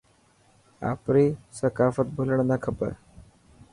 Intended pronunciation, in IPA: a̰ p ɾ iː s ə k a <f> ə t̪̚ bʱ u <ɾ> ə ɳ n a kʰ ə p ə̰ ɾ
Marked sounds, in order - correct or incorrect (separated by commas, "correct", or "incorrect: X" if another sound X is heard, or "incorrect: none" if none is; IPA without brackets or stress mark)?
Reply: correct, incorrect: l